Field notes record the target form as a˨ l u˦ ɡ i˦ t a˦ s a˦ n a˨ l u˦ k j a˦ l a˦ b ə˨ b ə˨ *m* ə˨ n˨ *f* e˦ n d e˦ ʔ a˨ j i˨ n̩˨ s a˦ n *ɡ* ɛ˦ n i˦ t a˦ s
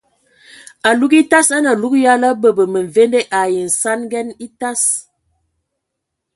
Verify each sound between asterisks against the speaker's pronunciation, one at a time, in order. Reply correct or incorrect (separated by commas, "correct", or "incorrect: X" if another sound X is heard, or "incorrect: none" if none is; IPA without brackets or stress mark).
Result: correct, incorrect: v, correct